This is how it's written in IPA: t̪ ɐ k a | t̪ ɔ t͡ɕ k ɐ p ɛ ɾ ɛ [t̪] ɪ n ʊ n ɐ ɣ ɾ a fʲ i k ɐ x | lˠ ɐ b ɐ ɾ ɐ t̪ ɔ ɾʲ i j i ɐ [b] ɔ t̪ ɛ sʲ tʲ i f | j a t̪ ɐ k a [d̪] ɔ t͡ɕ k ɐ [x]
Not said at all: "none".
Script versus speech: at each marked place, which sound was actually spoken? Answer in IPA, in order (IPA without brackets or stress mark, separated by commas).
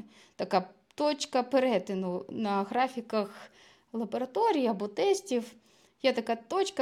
t̪, b, t̪, none